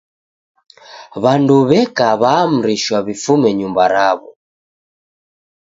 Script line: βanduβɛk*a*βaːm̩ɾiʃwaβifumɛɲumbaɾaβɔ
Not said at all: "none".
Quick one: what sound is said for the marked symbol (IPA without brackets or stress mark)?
a